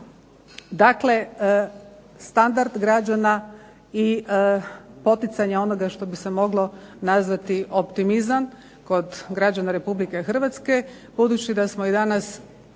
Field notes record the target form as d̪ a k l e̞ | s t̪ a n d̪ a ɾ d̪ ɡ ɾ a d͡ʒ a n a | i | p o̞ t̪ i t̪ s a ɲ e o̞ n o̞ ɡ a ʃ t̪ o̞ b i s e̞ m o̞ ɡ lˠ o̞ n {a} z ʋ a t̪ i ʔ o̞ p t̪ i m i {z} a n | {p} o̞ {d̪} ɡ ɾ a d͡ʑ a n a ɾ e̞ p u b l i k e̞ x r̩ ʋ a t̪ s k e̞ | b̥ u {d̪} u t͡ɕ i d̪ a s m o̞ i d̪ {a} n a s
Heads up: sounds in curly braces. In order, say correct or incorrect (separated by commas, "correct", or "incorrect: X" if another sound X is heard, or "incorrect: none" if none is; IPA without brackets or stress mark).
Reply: correct, correct, incorrect: k, correct, correct, correct